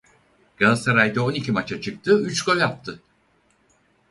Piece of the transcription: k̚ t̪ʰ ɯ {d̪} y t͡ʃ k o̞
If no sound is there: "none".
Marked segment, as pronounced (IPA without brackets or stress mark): none